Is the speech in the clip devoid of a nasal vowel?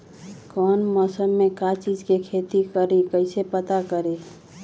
yes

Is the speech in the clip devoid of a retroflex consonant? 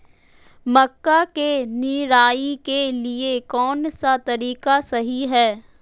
yes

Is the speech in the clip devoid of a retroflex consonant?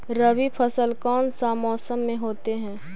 yes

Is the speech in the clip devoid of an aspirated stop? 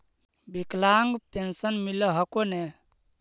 yes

